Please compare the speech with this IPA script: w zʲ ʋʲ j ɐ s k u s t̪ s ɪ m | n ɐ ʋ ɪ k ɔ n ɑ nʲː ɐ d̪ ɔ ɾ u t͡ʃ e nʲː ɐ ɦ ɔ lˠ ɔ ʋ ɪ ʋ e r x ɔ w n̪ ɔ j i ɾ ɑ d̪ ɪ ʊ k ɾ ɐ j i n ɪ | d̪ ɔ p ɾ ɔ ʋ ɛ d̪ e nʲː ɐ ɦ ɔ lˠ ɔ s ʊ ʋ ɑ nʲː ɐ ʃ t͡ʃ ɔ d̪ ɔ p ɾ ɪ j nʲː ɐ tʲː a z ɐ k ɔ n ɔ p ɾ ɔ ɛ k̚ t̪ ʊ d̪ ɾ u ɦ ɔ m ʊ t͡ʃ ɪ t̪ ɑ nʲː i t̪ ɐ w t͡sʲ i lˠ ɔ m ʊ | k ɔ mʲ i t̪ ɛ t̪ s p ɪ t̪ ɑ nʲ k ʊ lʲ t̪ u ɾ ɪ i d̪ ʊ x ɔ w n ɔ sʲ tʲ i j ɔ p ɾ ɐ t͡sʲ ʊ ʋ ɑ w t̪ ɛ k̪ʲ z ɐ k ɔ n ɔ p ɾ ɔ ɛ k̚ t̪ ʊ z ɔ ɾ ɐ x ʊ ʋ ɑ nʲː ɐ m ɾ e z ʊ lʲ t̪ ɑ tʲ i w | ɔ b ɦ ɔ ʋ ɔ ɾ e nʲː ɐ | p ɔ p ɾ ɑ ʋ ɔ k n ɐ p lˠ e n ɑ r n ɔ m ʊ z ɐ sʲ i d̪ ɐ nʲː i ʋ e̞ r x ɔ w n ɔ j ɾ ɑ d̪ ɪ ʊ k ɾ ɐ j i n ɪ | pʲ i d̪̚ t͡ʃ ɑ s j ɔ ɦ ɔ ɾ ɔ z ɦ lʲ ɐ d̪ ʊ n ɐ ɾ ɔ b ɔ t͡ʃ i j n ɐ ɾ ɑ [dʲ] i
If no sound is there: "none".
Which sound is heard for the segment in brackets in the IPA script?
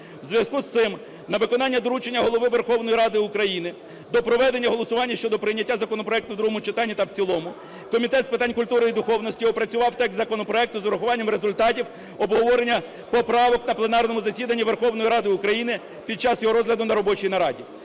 dʲ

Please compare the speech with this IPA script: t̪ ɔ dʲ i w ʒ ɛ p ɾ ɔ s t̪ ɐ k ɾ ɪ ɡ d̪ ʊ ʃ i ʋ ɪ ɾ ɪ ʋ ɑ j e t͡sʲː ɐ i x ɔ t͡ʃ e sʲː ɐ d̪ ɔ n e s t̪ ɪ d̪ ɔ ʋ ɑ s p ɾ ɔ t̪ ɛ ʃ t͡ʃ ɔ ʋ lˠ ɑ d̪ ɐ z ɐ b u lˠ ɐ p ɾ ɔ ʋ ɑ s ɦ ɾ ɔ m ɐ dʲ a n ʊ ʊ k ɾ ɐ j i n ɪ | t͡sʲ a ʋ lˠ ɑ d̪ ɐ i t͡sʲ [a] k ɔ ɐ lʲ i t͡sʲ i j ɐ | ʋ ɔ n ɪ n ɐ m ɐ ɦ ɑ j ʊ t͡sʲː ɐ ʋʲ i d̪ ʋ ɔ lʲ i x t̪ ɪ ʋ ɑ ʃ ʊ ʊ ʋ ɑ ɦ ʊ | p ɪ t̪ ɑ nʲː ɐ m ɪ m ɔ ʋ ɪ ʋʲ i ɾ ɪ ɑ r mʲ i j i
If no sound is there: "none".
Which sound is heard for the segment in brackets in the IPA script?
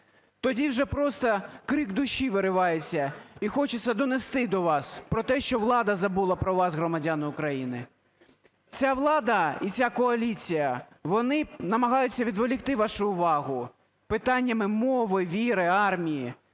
a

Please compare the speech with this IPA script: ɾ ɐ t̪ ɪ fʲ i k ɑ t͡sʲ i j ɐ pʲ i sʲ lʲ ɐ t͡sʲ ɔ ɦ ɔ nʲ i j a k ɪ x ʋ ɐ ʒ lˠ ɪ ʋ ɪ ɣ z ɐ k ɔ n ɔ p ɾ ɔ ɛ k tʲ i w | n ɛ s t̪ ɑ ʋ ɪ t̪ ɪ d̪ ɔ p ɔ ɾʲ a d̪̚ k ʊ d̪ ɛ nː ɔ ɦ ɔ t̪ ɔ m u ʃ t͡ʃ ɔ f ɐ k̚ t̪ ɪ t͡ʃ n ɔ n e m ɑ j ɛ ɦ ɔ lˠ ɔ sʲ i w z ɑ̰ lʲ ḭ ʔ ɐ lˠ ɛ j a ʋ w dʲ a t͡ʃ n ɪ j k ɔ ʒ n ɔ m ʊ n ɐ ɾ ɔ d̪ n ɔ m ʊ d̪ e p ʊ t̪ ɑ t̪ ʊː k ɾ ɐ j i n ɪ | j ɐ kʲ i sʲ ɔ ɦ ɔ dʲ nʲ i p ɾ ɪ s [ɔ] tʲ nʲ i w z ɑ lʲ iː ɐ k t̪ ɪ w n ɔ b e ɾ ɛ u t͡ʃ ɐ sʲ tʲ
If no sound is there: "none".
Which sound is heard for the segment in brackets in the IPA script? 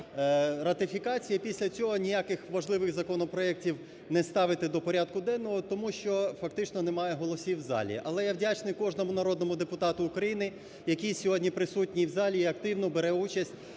u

